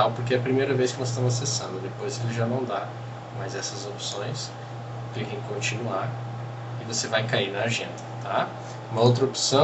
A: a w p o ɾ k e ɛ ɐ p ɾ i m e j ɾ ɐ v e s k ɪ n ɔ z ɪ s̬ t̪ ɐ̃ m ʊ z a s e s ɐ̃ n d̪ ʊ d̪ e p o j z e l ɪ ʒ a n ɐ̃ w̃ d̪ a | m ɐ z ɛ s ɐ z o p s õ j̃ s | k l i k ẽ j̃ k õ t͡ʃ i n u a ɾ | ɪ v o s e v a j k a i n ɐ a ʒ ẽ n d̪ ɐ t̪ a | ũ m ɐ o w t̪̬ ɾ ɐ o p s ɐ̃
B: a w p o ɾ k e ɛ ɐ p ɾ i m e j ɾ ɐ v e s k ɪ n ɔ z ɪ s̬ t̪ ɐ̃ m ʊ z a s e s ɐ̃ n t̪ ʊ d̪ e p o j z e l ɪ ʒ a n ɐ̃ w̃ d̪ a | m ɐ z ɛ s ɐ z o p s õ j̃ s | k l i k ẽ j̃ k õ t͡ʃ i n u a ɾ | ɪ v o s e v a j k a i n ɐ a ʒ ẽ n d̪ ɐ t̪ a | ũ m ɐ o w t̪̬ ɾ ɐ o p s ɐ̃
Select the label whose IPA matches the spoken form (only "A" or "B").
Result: A